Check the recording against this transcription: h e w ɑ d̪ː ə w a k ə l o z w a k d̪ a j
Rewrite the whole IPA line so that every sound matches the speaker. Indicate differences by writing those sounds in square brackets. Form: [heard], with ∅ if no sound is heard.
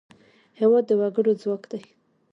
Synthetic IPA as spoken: h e w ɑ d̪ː ə w a [ɡ] ə [ɽ] o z w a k d̪ a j

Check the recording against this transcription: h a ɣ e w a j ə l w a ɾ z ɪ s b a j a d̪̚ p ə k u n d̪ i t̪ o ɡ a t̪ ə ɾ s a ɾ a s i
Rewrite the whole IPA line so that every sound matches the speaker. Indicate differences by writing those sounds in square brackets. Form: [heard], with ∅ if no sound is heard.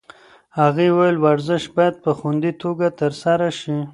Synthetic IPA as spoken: h a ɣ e w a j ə l w a ɾ z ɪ [ʃ] b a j a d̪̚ p ə [x] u n d̪ i t̪ o ɡ a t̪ ə ɾ s a ɾ a [ʃ] i

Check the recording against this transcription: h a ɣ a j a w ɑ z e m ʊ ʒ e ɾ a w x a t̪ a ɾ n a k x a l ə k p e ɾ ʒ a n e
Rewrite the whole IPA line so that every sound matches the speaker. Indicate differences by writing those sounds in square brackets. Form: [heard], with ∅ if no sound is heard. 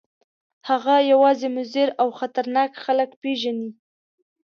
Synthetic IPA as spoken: h a ɣ a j a w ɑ z e m ʊ [z] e ɾ a w x a t̪ a ɾ n [ɑ] k x a l ə k p e [∅] ʒ a n [i]

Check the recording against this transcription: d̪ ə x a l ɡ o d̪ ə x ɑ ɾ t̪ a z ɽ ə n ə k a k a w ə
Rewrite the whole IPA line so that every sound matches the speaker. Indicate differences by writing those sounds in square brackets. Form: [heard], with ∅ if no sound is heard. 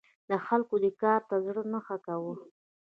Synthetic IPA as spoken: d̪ ə x a l [k] o d̪ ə [k] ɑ ɾ t̪ a z ɽ ə n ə [x] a k a w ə

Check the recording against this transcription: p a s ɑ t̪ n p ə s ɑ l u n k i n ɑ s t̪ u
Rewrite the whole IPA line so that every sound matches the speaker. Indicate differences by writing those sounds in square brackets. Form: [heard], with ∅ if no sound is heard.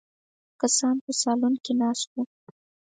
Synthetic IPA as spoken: [k] a s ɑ [∅] n p ə s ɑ l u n k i n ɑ s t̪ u

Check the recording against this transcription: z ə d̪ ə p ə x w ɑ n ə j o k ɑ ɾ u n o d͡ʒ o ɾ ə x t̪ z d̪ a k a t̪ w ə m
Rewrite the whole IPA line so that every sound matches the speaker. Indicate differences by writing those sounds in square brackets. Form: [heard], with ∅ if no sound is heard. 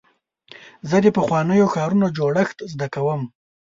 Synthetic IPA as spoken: z ə d̪ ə p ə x w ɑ n ə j o [x] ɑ ɾ u n o d͡ʒ o [ɽ] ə x t̪ z d̪ a k a [∅] w ə m

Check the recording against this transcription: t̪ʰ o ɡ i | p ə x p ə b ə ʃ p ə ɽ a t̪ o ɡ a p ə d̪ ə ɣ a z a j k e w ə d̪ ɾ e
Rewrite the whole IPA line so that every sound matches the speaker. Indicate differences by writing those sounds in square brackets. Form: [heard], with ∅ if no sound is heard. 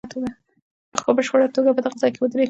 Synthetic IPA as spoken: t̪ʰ o ɡ [a] | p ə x p ə b ə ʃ p ə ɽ a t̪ o ɡ a p ə d̪ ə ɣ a z [ɑ] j k e w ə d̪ ɾ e

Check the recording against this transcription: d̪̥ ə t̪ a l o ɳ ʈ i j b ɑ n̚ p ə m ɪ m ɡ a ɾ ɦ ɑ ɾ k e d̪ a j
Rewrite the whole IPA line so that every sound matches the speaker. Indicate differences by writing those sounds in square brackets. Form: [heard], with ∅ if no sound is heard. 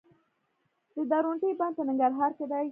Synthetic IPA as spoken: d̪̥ ə [d̪] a [ɾ] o ɳ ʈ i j b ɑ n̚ p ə [n] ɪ [ŋ] ɡ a ɾ ɦ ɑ ɾ k e d̪ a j

